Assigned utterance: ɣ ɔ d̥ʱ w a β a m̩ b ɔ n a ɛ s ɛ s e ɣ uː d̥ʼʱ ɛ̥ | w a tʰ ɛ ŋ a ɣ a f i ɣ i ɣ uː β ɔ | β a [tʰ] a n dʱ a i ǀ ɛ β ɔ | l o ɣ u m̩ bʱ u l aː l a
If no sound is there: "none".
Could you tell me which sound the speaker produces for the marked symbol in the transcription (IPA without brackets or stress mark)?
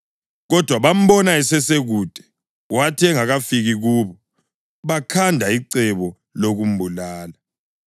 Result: kʰ